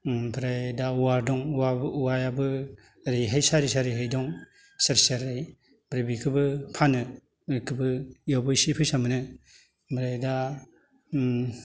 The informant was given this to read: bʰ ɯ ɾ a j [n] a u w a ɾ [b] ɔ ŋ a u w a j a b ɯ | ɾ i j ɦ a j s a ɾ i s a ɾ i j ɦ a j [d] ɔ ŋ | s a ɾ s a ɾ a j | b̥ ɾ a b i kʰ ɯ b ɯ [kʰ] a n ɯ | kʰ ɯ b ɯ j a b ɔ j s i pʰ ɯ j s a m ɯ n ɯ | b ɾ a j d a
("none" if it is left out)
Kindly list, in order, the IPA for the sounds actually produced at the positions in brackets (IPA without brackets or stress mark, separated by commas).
d, d, d, pʰ